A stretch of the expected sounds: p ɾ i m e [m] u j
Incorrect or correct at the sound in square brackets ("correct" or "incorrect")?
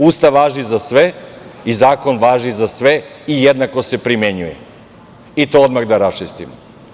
incorrect